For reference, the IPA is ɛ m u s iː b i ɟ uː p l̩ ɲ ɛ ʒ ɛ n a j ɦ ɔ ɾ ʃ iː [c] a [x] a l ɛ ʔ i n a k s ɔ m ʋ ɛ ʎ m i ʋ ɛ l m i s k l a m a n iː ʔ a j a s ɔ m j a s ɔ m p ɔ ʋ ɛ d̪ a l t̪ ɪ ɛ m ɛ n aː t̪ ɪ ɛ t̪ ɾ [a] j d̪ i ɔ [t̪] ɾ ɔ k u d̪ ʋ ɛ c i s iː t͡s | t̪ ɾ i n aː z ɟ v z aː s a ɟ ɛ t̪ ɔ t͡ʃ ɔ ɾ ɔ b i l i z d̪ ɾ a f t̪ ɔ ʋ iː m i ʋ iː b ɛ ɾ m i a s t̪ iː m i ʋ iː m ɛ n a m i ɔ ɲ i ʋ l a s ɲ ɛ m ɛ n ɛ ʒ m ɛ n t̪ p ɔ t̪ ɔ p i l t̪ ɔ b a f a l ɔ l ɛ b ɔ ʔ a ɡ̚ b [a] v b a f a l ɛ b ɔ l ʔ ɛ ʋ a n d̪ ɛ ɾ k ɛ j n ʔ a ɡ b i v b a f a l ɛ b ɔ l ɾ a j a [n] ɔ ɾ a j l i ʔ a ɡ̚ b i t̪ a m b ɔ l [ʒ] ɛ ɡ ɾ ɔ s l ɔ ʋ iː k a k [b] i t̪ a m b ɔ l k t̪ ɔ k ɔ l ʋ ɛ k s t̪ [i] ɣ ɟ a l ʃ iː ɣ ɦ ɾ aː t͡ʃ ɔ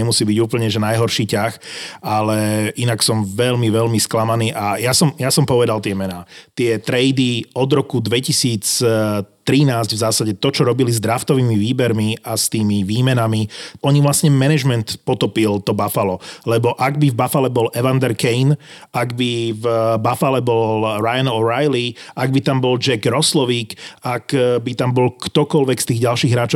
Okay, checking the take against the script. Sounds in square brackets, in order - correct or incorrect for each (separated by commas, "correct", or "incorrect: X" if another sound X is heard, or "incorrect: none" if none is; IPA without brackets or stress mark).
correct, correct, incorrect: ɛ, incorrect: d̪, incorrect: i, correct, incorrect: d͡ʒ, correct, incorrect: iː